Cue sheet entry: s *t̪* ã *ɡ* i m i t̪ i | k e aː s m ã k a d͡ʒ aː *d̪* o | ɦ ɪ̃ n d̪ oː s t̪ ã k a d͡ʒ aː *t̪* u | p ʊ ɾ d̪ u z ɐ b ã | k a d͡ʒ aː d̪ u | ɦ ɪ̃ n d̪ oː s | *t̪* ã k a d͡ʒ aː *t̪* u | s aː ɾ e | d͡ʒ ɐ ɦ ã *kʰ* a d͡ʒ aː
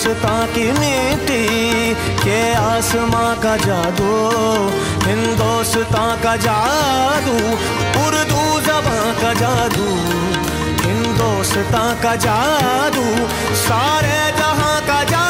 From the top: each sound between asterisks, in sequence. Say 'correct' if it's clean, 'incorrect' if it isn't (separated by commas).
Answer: correct, incorrect, correct, incorrect, correct, incorrect, incorrect